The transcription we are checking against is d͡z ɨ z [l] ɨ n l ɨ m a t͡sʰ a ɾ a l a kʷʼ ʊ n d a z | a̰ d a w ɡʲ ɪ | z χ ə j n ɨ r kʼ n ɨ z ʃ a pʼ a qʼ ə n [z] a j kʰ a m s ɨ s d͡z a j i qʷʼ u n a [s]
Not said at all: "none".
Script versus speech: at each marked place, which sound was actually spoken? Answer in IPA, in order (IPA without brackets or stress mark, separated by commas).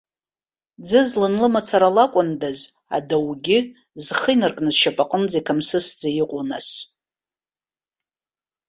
l, d͡z, s